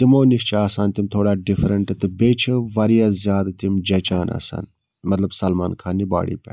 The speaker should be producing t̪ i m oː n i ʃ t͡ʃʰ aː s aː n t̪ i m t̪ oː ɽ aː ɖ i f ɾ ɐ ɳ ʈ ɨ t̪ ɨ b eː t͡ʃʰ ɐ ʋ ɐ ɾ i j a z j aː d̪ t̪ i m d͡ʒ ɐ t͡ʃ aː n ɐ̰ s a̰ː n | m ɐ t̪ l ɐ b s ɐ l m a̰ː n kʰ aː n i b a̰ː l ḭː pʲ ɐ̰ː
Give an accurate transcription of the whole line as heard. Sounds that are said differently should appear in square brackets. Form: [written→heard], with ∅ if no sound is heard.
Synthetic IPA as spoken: t̪ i m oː n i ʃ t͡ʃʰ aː s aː n t̪ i m [t̪→t̪ʰ] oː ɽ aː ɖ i f ɾ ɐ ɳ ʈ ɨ t̪ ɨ b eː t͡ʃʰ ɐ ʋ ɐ ɾ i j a z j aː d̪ t̪ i m d͡ʒ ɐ t͡ʃ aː n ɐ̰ s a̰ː n | m ɐ t̪ l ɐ b s ɐ l m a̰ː n kʰ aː n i b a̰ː [l→ɽ] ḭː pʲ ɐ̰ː